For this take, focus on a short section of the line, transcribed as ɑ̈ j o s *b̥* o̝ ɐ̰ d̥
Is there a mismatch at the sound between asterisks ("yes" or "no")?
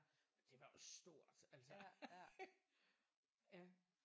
yes